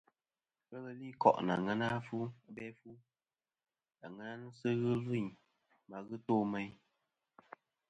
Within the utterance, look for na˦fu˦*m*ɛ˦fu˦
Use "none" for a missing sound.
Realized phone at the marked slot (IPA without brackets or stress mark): b